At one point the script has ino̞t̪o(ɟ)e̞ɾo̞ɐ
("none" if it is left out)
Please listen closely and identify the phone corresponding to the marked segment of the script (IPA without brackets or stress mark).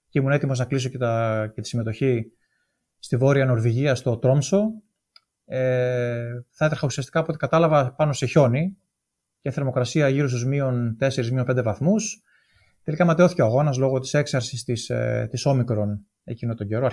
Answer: ɟ